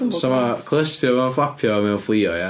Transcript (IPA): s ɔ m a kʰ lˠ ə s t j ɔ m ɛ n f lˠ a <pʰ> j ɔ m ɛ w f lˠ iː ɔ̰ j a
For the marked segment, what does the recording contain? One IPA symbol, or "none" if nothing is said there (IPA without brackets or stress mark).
pʰ